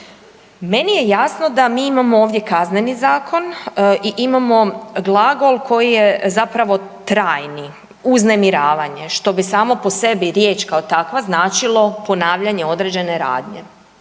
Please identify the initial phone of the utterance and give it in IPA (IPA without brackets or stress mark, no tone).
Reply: m